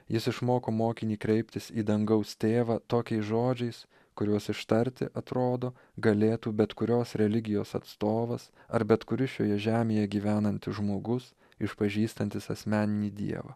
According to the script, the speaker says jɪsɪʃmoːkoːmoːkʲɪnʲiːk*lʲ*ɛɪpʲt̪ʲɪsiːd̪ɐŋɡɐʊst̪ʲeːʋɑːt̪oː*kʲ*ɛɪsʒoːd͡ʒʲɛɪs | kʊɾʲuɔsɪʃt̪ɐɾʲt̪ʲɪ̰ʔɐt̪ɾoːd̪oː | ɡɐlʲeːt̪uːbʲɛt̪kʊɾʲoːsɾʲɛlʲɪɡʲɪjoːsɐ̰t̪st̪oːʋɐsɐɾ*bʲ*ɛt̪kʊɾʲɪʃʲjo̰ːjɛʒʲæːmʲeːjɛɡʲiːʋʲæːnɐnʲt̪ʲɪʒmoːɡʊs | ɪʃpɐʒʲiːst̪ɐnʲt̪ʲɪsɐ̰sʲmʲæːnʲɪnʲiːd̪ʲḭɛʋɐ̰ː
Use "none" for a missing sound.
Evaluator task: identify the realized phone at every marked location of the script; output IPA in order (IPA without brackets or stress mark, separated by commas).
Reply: ɾʲ, kʲ, bʲ